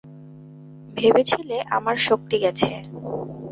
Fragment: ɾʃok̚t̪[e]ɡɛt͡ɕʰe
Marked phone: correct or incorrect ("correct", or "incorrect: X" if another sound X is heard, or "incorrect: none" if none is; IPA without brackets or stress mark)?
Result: incorrect: i